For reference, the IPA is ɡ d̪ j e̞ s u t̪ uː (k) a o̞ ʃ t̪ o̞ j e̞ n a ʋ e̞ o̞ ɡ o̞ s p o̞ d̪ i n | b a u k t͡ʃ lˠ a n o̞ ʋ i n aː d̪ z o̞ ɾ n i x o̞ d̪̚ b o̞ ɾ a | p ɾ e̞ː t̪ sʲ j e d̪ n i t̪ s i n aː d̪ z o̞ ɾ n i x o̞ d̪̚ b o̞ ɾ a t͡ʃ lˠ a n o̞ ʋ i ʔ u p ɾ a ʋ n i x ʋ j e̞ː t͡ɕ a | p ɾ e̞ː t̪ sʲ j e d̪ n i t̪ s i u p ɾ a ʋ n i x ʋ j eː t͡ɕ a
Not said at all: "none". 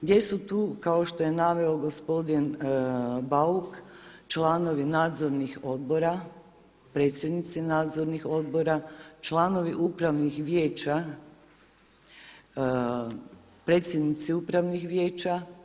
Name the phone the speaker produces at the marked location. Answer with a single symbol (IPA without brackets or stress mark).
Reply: k